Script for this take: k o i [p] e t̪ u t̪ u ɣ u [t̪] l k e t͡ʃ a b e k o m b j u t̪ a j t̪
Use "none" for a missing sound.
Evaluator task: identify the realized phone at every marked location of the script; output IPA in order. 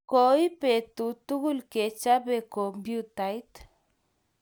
p, none

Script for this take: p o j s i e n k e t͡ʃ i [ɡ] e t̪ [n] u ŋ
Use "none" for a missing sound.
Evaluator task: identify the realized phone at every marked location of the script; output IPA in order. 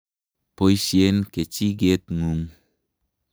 ɡ, ŋ

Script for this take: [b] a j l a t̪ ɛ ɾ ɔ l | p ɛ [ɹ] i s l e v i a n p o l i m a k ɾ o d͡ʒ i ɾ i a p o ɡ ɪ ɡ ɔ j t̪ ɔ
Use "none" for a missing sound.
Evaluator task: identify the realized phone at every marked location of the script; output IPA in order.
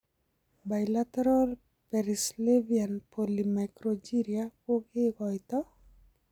b, ɾ

